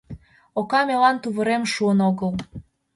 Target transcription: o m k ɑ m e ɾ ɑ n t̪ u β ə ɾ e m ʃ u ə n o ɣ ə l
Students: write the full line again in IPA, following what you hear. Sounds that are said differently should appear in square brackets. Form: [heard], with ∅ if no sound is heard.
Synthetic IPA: o [∅] k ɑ m e [l] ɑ n t̪ u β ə ɾ e m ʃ u ə n o ɣ ə l